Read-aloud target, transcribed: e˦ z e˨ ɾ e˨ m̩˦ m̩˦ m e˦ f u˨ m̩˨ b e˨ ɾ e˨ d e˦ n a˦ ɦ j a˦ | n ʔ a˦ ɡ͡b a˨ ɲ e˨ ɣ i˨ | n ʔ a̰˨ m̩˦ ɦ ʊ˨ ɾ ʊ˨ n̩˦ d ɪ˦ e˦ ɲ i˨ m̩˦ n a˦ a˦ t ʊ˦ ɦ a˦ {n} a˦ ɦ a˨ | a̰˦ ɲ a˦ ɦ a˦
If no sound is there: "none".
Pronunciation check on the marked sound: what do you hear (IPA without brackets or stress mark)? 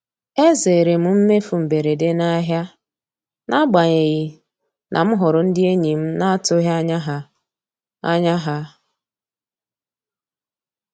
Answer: ɲ